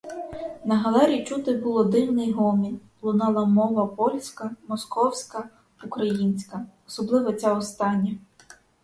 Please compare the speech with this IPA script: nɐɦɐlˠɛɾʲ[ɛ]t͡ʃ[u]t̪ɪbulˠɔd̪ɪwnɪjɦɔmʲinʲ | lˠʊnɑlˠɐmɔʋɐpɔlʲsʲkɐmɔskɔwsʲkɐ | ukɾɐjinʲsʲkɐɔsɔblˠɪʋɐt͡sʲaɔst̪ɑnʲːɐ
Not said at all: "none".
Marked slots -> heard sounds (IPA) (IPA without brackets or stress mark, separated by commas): i, u